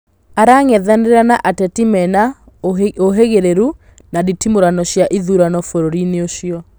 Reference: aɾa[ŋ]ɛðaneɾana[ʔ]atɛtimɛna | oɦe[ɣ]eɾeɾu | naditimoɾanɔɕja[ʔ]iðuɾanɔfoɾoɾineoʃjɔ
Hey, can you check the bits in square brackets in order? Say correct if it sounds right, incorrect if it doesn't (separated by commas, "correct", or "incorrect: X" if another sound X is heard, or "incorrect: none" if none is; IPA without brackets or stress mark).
correct, correct, correct, correct